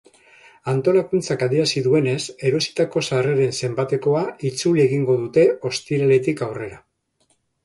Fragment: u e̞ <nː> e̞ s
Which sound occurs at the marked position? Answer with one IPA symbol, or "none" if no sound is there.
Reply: n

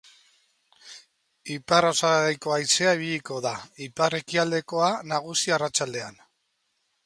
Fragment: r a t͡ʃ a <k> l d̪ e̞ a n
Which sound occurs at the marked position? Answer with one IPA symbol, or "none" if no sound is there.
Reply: none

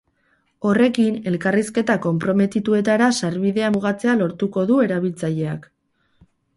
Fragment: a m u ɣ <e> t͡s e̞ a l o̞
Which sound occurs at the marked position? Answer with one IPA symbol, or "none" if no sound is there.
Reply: a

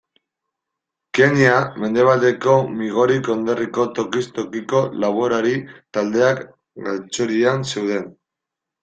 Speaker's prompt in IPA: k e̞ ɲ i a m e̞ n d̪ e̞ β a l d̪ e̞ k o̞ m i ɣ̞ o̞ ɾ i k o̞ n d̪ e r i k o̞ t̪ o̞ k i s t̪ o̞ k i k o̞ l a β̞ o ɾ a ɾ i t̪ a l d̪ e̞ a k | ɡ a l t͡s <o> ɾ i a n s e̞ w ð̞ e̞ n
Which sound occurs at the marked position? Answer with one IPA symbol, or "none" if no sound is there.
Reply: o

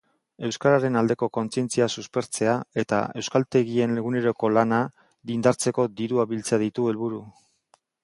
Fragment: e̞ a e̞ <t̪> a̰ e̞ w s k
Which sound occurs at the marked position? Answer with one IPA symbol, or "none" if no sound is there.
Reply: t̪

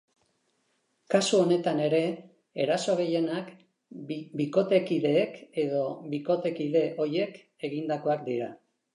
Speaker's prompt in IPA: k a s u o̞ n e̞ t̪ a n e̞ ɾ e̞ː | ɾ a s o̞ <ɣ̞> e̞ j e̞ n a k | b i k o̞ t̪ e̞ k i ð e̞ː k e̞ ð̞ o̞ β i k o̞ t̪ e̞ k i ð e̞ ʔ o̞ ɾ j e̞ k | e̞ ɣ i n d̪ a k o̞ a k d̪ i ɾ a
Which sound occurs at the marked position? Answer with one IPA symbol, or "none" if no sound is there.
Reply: ɣ̞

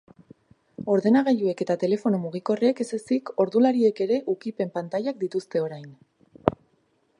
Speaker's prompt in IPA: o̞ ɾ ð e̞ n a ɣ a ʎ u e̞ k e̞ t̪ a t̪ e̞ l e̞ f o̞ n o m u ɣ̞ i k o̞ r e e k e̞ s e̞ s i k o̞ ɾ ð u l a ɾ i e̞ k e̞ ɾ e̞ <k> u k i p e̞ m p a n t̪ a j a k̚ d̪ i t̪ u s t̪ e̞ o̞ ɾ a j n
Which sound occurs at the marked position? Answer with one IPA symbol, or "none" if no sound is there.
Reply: ʔ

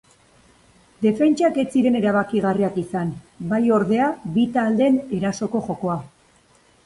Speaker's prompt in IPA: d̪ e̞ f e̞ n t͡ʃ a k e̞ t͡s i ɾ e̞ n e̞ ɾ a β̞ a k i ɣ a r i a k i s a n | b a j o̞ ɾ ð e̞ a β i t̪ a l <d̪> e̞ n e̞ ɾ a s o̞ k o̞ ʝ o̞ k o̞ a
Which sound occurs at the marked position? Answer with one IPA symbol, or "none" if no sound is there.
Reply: d̪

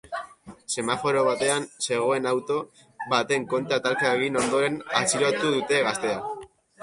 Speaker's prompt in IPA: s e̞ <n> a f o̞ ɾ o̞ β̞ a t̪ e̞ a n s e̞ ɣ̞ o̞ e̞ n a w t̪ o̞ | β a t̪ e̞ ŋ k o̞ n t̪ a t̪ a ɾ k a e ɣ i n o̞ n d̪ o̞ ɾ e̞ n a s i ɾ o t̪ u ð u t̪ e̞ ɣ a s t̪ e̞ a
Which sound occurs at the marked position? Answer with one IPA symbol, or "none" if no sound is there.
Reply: m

